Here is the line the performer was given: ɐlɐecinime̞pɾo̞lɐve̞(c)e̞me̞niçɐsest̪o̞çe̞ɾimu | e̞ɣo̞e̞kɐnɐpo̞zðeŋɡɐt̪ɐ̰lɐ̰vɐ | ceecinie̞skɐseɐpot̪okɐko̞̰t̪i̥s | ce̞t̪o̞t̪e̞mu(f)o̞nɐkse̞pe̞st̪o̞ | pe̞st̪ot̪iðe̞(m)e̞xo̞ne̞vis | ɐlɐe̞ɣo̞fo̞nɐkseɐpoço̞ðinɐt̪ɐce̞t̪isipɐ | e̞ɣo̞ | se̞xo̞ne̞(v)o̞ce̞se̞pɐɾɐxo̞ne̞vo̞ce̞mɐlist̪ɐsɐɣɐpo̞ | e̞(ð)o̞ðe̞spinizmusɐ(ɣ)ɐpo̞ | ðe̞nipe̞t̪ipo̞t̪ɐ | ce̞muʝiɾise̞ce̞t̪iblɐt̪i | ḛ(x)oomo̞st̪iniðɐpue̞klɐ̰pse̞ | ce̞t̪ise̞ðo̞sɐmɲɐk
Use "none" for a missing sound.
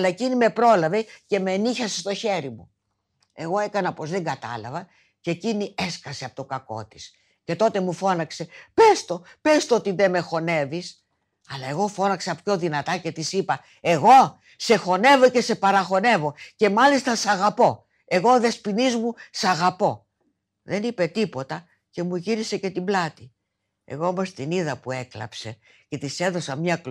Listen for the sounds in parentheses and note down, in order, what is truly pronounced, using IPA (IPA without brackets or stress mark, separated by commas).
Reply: c, f, m, v, ɣ, ɣ, ɣ